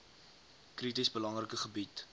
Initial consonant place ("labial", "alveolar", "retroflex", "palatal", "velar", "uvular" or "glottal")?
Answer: velar